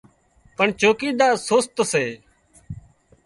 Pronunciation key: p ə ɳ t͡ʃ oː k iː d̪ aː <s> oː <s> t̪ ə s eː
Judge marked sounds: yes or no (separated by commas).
yes, yes